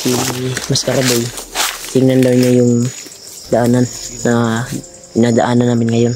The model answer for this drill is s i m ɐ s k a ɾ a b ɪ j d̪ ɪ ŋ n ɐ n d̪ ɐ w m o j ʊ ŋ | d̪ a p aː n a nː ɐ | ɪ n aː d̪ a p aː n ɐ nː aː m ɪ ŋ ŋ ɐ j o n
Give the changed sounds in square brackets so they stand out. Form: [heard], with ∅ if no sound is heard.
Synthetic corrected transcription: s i m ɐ s k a ɾ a b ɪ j [t̪] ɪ ŋ n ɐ n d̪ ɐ w [ɲ] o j ʊ ŋ | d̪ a [ʔ] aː n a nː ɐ | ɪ n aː d̪ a [ʔ] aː n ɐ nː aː m ɪ [n] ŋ ɐ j o n